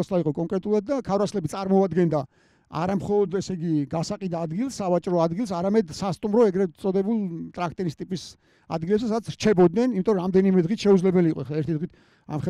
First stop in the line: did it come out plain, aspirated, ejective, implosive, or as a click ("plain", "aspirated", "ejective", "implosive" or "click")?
ejective